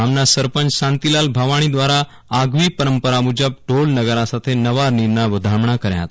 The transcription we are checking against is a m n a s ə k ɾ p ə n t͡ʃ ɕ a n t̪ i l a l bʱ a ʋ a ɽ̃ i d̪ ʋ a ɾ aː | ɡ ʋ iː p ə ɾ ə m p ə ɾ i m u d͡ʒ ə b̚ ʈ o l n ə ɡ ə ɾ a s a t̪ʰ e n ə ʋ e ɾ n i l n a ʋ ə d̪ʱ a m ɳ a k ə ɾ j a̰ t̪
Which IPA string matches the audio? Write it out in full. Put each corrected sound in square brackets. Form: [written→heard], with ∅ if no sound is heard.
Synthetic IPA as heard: a m n a s ə [k→∅] ɾ p ə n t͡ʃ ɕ a n t̪ i l a l bʱ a ʋ a ɽ̃ i d̪ ʋ a ɾ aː | ɡ ʋ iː p ə ɾ ə m p ə ɾ [i→a] m u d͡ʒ ə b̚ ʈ o l n ə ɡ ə ɾ a s a t̪ʰ e n ə ʋ [e→a] ɾ n i [l→ɾ] n a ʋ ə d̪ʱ a m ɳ a k ə ɾ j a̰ t̪

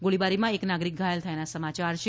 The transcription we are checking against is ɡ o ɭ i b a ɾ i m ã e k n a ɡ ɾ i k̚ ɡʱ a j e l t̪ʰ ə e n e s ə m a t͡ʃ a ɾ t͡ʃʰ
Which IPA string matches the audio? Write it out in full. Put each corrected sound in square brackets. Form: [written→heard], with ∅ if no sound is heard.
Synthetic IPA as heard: ɡ o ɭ i b a ɾ i m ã e k n a ɡ ɾ i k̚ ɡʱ a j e l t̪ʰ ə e n [e→a] s ə m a t͡ʃ a ɾ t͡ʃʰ

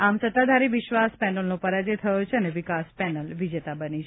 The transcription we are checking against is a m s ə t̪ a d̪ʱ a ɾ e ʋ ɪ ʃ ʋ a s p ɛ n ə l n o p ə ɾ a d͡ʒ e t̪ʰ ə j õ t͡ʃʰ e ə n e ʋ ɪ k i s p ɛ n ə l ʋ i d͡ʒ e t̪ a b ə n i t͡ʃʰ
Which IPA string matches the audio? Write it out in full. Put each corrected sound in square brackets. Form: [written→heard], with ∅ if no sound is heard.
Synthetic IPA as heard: a m s ə t̪ a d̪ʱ a ɾ [e→i] ʋ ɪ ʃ ʋ a s p ɛ n ə l n o p ə ɾ a d͡ʒ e t̪ʰ ə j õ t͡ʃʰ e ə n e ʋ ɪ k [i→a] s p ɛ n ə l ʋ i d͡ʒ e t̪ a b ə n i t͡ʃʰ

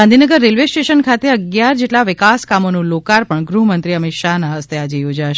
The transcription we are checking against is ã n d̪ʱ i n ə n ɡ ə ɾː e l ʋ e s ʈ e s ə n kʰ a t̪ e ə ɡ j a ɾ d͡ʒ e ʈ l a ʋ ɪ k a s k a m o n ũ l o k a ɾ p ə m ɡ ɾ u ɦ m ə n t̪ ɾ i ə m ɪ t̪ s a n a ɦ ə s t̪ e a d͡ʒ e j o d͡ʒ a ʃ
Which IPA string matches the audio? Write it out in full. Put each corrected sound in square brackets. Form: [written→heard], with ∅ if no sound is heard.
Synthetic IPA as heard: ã n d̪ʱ i n ə [n→∅] ɡ ə ɾː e l ʋ e s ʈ e [s→ʃ] ə n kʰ a t̪ e ə ɡ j a ɾ d͡ʒ e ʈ l a ʋ ɪ k a s k a m o n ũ l o k a ɾ p ə [m→ɳ] ɡ ɾ u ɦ m ə n t̪ ɾ i ə m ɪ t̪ [s→ʃ] a n a ɦ ə s t̪ e a d͡ʒ e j o d͡ʒ a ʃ

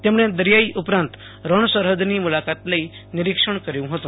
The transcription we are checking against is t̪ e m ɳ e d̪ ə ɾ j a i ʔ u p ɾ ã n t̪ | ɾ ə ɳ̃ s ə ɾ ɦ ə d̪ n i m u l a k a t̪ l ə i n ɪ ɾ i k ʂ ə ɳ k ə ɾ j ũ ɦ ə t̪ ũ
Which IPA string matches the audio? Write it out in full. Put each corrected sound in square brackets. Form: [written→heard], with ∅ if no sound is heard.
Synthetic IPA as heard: t̪ e m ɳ e d̪ ə ɾ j a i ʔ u p ɾ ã n t̪ | ɾ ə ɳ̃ s ə ɾ ɦ ə d̪ n i m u l a k a t̪ l ə i n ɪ ɾ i k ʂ ə ɳ k ə ɾ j ũ ɦ ə t̪ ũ

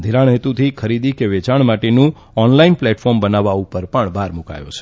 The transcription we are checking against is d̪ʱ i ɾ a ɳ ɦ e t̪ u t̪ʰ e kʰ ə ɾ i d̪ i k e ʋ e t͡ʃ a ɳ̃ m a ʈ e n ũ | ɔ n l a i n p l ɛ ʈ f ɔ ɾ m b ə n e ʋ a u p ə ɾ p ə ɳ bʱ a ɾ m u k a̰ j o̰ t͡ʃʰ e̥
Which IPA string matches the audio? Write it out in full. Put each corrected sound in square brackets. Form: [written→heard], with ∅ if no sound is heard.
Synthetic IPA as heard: d̪ʱ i ɾ a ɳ ɦ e t̪ u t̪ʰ [e→i] kʰ ə ɾ i d̪ i k e ʋ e t͡ʃ a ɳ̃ m a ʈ e n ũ | ɔ n l a i n p l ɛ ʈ f ɔ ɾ m b ə n [e→a] ʋ a u p ə ɾ p ə ɳ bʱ a ɾ m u k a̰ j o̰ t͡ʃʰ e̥

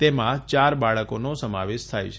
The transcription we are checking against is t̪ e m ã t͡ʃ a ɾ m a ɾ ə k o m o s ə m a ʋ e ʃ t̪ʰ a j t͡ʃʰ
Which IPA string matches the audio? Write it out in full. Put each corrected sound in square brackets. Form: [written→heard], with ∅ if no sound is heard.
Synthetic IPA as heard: t̪ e m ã t͡ʃ a ɾ [m→b] a [ɾ→ɭ] ə k o [m→n] o s ə m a ʋ e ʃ t̪ʰ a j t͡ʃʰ

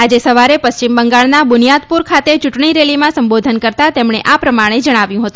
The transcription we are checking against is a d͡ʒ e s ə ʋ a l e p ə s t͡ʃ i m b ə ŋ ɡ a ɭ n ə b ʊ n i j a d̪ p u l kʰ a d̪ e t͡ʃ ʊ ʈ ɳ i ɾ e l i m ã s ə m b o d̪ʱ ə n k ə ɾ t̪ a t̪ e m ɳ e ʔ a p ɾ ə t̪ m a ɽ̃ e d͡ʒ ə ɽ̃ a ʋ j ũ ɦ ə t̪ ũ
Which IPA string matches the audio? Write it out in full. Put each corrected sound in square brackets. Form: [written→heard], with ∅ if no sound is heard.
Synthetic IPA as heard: a d͡ʒ e s ə ʋ a [l→ɾ] e p ə s t͡ʃ i m b ə ŋ ɡ a ɭ n [ə→a] b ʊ n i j a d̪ p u [l→ɾ] kʰ a [d̪→t̪] e t͡ʃ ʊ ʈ ɳ i ɾ e l i m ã s ə m b o d̪ʱ ə n k ə ɾ t̪ a t̪ e m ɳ e ʔ a p ɾ ə [t̪→∅] m a ɽ̃ e d͡ʒ ə ɽ̃ a ʋ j ũ ɦ ə t̪ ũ

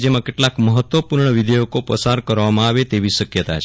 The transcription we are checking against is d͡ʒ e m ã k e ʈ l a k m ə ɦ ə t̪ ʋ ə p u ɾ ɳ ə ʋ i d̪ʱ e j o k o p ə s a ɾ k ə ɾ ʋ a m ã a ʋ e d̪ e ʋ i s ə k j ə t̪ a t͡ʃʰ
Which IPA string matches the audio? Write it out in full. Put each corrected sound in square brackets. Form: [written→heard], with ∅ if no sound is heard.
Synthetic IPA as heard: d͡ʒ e m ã k e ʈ l a k m ə ɦ ə t̪ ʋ ə p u ɾ ɳ ə ʋ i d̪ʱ e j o k o p ə s a ɾ k ə ɾ ʋ a m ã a ʋ e [d̪→t̪] e ʋ i [s→ʃ] ə k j ə t̪ a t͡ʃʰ

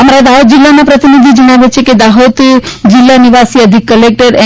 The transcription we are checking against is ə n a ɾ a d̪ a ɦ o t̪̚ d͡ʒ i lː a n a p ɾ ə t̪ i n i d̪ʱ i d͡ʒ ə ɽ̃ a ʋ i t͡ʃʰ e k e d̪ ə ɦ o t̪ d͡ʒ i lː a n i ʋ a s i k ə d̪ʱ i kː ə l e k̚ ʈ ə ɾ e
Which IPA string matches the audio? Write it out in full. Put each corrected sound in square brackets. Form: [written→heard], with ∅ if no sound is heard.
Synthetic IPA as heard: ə [n→m] a ɾ a d̪ a ɦ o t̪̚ d͡ʒ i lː a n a p ɾ ə t̪ i n i d̪ʱ i d͡ʒ ə ɽ̃ a ʋ [i→e] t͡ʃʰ e k e d̪ [ə→a] ɦ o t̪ d͡ʒ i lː a n i ʋ a s i [k→∅] ə d̪ʱ i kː ə l e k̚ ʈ ə ɾ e

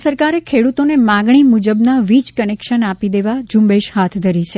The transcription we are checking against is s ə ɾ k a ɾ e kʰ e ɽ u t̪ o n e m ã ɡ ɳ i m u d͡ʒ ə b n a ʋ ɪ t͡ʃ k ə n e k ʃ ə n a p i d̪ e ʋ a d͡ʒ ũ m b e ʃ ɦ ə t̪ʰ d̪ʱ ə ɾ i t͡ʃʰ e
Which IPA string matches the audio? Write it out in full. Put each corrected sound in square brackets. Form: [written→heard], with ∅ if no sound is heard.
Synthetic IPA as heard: s ə ɾ k a ɾ e kʰ e ɽ u t̪ o n e m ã ɡ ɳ i m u d͡ʒ ə b n a ʋ [ɪ→i] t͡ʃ k ə n e k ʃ ə n a p i d̪ e ʋ a d͡ʒ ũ m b e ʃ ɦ [ə→a] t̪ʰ d̪ʱ ə ɾ i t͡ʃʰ e

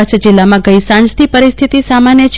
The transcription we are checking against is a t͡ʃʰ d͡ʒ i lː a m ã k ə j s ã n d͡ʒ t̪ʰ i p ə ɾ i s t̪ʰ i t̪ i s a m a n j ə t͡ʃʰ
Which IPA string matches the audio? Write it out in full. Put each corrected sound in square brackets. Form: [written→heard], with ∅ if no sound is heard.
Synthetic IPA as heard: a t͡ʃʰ d͡ʒ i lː a m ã [k→ɡ] ə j s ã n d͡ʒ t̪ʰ i p ə ɾ i s t̪ʰ i t̪ i s a m a n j ə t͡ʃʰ

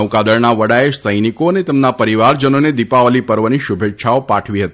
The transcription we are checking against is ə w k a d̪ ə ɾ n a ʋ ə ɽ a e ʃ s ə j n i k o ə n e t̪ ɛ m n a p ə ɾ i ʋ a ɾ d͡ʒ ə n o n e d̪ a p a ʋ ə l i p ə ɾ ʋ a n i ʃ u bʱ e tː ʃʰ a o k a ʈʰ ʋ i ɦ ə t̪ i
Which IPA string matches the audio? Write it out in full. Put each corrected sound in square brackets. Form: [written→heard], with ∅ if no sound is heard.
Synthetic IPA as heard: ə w k a d̪ ə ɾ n a ʋ ə ɽ a e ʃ s ə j n i k o ə n e t̪ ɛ m n a p ə ɾ i ʋ a ɾ d͡ʒ ə n o n e d̪ [a→i] p a ʋ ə l i p ə ɾ ʋ [a→ə] n i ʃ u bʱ e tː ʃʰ a o [k→p] a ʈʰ ʋ i ɦ ə t̪ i

